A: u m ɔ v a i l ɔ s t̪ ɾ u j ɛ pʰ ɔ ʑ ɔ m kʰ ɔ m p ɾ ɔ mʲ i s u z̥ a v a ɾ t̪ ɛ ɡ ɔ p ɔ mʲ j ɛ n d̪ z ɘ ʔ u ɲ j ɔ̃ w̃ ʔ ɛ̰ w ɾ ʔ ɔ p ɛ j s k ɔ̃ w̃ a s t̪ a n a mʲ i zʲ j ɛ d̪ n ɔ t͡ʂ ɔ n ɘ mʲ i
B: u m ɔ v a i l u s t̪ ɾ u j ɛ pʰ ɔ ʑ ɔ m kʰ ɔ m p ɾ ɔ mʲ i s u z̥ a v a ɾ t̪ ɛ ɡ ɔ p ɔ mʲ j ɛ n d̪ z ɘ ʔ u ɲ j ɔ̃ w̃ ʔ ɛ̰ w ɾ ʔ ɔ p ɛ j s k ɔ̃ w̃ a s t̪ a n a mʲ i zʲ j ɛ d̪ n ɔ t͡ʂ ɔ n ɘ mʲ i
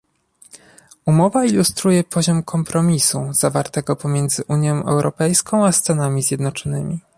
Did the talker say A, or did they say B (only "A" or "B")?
B